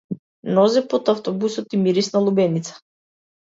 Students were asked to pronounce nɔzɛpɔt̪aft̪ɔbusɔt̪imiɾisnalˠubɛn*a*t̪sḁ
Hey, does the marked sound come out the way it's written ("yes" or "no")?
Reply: no